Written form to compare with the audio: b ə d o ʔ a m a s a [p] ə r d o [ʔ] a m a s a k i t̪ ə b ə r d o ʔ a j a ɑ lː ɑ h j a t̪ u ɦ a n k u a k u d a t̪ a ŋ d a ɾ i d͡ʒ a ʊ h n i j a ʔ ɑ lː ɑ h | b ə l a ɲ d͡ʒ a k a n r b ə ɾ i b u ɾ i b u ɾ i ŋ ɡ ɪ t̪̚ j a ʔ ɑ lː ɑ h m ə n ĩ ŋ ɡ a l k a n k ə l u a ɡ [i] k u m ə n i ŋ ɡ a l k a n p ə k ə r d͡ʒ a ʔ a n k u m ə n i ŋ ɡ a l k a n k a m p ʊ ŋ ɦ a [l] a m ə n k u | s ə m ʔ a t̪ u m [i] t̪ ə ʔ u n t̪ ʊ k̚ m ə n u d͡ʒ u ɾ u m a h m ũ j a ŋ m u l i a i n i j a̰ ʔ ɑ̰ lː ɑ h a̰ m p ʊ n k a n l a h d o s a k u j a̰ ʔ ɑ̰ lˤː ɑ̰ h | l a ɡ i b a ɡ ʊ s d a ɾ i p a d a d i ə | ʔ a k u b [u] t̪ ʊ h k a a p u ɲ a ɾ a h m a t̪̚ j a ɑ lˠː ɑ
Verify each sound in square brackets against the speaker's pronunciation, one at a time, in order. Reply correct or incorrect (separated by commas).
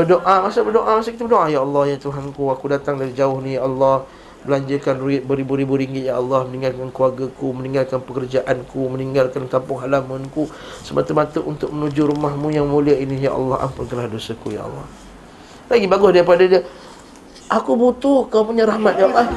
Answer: incorrect, correct, incorrect, correct, incorrect, correct